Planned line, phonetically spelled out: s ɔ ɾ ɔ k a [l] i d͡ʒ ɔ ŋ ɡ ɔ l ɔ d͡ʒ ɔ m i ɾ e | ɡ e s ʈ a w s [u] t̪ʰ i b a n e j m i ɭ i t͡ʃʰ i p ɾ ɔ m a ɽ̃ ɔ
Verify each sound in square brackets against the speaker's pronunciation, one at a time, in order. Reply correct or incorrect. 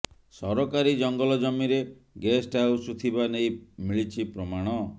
incorrect: ɾ, correct

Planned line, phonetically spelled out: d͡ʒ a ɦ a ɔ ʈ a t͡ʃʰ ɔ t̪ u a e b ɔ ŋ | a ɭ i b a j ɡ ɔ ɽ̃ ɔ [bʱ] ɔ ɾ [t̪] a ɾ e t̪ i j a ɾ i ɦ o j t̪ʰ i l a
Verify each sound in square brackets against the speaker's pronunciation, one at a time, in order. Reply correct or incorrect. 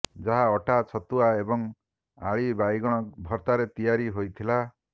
correct, correct

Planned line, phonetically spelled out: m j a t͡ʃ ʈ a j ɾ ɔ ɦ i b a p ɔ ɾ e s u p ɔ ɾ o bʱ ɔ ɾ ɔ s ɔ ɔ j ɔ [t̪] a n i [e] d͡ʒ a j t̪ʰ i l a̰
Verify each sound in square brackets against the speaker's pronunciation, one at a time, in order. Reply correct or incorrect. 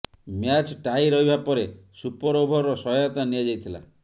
correct, incorrect: a

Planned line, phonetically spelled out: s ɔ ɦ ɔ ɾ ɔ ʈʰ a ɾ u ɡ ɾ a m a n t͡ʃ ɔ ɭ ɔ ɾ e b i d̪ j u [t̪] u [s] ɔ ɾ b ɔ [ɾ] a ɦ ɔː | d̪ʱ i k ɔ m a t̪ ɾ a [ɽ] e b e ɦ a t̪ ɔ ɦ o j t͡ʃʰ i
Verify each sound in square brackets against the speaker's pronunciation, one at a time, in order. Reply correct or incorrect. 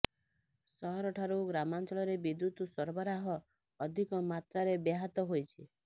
correct, correct, correct, incorrect: ɾ

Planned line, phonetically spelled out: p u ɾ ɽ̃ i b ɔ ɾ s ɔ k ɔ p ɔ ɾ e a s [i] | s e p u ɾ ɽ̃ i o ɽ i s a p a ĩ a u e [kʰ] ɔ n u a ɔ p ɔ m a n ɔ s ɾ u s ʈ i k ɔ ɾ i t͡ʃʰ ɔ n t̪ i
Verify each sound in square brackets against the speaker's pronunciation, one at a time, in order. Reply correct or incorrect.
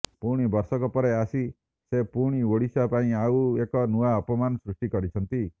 correct, incorrect: k

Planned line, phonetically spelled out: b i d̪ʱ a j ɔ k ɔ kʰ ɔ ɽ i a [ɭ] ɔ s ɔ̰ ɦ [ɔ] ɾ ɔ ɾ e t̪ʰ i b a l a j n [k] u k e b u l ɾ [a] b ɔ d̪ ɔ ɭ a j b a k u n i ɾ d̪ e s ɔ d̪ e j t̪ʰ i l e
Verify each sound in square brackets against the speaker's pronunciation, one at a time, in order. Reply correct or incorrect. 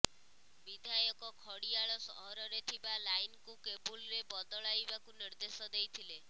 correct, correct, correct, incorrect: e

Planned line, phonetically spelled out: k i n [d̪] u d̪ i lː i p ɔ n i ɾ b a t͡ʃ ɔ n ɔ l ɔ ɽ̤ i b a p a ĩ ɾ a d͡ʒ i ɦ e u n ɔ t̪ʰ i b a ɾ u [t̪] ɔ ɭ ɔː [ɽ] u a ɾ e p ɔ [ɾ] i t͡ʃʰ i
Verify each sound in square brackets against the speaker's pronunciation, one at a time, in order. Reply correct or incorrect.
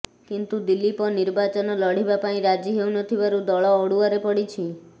incorrect: t̪, incorrect: d̪, correct, incorrect: ɽ

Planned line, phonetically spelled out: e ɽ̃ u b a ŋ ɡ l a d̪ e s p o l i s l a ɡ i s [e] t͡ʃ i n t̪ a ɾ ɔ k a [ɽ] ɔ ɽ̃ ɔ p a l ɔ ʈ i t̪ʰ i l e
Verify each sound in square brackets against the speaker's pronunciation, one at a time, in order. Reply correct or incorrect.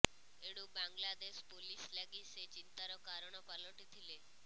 correct, incorrect: ɾ

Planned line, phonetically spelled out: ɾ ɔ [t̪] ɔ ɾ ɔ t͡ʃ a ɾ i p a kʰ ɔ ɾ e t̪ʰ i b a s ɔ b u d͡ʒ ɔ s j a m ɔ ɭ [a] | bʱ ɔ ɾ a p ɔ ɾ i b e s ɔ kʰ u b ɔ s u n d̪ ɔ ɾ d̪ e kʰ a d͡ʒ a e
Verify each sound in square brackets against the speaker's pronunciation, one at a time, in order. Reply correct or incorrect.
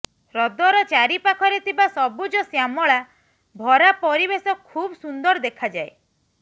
incorrect: d̪, correct

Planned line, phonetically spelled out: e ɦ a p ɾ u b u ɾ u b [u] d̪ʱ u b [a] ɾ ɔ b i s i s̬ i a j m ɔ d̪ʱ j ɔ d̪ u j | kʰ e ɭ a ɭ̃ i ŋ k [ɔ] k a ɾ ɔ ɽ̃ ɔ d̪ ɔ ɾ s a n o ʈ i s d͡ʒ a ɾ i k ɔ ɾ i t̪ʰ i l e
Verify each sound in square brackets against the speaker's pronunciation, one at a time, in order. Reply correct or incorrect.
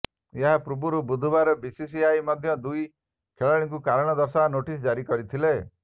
correct, correct, incorrect: u

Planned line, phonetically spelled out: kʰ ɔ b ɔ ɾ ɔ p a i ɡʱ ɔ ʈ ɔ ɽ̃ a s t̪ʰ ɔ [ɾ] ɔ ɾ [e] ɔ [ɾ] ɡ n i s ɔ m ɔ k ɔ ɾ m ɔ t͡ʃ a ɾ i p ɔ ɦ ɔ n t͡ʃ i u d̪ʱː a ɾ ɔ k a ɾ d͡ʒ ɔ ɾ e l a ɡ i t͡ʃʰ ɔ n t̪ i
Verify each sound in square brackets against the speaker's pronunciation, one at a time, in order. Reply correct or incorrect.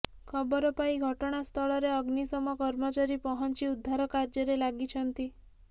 incorrect: ɭ, correct, incorrect: none

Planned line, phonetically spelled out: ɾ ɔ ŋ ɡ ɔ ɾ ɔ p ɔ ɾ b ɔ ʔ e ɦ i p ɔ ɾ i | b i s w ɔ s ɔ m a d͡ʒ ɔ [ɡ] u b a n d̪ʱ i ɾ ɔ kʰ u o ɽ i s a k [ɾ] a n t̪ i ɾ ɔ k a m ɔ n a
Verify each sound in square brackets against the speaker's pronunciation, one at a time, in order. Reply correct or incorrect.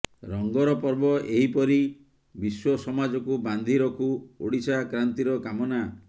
incorrect: k, correct

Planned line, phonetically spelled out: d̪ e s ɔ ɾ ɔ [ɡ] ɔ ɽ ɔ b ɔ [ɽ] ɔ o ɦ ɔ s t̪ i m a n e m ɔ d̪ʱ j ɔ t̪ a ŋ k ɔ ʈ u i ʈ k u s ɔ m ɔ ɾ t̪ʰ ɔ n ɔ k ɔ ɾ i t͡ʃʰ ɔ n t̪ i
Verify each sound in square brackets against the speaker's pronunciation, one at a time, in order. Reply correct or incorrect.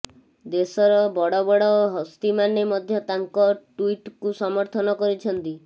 incorrect: b, correct

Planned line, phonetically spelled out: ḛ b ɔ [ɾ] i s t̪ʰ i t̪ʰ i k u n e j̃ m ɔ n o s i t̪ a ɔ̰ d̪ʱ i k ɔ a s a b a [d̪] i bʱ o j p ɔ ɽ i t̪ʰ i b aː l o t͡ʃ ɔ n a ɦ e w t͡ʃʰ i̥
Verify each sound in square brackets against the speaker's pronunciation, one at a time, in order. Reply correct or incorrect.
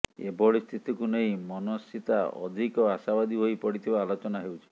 incorrect: ɭ, correct

